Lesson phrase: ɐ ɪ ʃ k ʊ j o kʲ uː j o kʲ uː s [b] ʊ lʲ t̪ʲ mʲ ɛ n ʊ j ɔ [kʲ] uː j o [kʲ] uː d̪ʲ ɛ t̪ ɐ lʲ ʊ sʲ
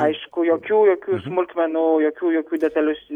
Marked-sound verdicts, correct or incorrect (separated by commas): incorrect, correct, correct